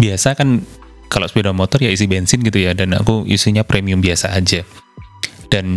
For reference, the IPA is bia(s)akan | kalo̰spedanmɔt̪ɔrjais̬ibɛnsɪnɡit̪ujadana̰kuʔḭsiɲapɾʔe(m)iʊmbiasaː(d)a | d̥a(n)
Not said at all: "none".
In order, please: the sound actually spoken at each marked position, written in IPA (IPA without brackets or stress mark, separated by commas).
s, m, d͡ʒ, n